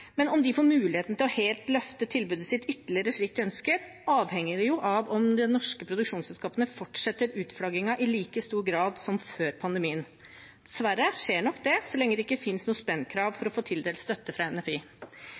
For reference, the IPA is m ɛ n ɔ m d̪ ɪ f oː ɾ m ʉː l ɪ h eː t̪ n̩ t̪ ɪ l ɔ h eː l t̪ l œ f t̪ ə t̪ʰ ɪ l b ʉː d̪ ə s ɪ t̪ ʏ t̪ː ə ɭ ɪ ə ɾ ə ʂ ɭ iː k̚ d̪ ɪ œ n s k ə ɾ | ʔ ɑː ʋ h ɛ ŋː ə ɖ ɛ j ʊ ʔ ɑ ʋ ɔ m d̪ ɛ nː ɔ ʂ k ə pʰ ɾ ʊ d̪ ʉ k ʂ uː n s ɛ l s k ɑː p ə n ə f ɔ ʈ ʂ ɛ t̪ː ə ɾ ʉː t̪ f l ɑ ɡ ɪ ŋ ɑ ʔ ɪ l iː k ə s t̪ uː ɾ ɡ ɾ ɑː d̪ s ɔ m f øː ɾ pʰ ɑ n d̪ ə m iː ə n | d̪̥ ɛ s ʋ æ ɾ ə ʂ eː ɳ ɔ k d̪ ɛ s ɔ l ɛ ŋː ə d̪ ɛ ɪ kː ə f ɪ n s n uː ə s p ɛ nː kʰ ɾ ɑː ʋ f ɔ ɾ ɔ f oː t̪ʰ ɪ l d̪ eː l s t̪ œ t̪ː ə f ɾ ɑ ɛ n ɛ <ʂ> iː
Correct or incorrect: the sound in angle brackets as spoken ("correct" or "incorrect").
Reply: incorrect